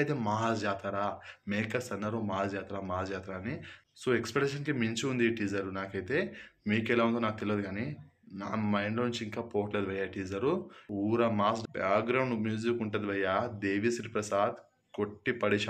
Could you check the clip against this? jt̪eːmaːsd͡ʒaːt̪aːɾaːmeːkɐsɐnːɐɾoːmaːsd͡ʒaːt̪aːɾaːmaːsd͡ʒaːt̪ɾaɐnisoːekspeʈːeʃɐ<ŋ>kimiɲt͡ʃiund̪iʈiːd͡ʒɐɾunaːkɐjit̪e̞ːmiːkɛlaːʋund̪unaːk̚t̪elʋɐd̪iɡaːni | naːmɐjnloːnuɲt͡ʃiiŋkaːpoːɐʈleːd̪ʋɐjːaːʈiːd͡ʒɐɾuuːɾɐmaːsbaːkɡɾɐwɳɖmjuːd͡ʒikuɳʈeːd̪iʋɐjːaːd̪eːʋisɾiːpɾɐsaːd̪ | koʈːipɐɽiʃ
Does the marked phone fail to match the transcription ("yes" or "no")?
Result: yes